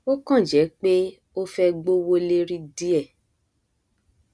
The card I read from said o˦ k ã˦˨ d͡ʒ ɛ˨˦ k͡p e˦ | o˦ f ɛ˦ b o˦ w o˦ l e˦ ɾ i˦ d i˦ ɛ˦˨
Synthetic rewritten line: o˦ k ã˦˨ d͡ʒ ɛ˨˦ k͡p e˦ | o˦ f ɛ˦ ɡ͡b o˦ w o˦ l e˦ ɾ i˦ d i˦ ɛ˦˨